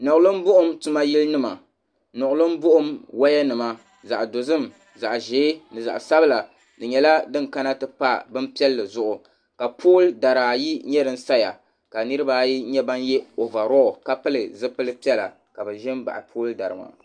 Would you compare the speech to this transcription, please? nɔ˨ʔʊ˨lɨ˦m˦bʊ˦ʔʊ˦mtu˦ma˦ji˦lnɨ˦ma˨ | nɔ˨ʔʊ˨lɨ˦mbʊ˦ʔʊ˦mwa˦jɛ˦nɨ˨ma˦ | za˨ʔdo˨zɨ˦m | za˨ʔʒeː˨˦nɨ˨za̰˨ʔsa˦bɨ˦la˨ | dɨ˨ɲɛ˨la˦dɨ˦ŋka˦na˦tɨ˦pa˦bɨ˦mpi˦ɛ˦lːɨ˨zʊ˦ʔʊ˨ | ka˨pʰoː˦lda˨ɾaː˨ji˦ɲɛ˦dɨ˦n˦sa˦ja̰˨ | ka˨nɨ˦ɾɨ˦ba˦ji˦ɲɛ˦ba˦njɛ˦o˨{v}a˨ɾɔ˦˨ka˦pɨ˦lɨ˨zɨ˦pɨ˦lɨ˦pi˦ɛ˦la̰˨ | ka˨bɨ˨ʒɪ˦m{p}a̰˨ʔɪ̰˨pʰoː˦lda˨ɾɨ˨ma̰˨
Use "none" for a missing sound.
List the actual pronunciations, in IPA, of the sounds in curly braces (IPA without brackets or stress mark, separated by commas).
v, b